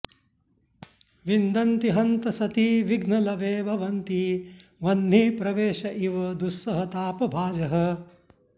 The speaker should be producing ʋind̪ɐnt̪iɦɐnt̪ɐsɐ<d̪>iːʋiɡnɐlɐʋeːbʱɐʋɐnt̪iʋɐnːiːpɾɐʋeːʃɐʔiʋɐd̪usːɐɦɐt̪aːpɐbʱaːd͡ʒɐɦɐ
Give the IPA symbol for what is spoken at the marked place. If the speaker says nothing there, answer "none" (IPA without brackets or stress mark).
t̪